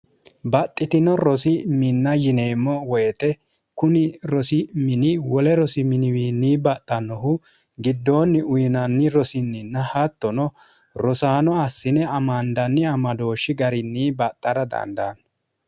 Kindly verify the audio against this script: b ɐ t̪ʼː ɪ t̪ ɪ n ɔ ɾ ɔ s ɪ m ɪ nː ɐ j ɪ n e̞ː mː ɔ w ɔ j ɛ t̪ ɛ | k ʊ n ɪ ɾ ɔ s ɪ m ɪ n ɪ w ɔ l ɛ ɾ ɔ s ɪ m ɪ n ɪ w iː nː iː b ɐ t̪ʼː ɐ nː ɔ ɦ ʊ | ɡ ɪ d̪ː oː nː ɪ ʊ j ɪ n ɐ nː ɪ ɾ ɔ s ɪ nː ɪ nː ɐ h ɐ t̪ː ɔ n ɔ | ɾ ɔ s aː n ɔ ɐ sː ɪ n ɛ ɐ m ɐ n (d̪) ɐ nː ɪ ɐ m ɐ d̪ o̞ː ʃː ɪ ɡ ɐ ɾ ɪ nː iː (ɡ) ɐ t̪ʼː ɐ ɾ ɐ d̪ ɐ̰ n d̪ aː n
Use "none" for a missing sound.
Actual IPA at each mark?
d̪, b

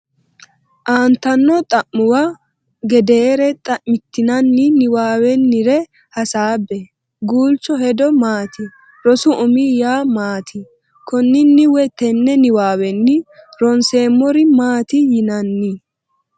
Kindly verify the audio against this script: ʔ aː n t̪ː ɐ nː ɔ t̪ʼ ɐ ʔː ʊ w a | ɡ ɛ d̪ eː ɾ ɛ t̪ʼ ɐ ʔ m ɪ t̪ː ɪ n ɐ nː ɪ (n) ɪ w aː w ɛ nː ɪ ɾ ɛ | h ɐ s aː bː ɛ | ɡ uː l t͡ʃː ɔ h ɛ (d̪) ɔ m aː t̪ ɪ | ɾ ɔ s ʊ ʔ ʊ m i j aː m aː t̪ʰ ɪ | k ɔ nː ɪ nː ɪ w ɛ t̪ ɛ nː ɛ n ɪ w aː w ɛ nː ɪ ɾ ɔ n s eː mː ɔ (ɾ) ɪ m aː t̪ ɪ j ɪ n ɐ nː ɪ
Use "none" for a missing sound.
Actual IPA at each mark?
n, d̪, ɾ

